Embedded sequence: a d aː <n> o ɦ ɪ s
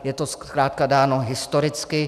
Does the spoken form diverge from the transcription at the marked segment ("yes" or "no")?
no